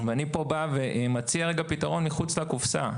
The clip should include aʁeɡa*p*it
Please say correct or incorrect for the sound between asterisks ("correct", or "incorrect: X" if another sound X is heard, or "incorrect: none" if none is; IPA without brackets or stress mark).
correct